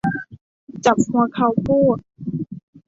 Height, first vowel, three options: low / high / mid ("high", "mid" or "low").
low